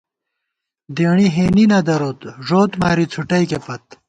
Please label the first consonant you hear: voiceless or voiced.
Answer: voiced